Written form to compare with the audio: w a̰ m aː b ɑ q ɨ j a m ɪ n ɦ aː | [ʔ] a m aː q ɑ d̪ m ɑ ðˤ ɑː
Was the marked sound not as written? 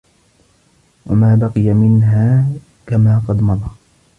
yes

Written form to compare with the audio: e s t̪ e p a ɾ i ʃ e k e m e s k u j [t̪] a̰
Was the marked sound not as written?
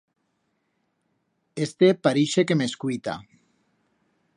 no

